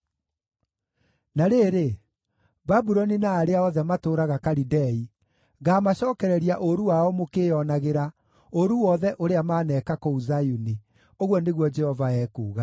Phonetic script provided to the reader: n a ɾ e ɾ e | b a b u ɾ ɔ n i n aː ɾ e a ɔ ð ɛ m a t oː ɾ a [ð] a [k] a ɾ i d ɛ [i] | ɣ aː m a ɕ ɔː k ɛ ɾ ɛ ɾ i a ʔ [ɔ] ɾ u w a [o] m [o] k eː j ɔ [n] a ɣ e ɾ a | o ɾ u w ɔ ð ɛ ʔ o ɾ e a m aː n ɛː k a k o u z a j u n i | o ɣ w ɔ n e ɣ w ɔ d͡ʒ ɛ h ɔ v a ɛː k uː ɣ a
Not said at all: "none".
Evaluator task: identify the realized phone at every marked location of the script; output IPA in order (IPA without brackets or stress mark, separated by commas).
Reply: ɣ, k, i, o, ɔ, o, n